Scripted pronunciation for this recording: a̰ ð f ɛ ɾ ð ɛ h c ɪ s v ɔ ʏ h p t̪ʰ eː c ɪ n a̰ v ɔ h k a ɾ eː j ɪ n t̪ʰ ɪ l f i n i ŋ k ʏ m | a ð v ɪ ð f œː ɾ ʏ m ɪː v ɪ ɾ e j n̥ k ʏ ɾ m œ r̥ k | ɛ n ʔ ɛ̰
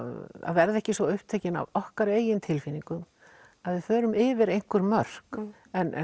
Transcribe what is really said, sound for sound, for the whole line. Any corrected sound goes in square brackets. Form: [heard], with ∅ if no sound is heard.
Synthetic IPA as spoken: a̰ ð [v] ɛ ɾ ð ɛ h c ɪ s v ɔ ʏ h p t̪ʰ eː c ɪ n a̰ v ɔ h k a ɾ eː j ɪ n t̪ʰ ɪ l f i n i ŋ k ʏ m | a ð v ɪ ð f œː ɾ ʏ m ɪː v ɪ ɾ e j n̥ k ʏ ɾ m œ r̥ k | ɛ n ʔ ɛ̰